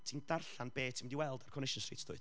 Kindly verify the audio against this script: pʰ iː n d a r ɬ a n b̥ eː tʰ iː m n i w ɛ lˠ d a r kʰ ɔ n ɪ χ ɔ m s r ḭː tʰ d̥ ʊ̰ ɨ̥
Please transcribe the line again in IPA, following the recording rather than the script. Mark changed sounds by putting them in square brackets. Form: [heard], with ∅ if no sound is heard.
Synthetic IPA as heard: [tʰ] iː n d a r ɬ a n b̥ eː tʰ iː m [d] i w ɛ lˠ d a r kʰ ɔ n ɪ [ʃ] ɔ [n] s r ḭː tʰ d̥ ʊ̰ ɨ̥